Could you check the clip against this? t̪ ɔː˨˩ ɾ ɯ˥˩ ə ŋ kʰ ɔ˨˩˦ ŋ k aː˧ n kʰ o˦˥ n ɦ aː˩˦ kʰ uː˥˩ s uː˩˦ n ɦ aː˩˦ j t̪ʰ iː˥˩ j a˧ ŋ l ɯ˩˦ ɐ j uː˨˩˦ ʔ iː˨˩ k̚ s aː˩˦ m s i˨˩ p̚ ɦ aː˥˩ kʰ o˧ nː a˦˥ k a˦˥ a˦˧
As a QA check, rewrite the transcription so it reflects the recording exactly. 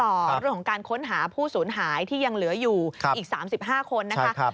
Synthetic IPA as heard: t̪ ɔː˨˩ ɾ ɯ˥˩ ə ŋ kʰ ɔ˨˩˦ ŋ k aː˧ n kʰ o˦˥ n ɦ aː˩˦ pʰ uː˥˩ s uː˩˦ n ɦ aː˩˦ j t̪ʰ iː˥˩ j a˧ ŋ l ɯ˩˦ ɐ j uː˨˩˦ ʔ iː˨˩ k̚ s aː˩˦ m s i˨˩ p̚ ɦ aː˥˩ kʰ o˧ nː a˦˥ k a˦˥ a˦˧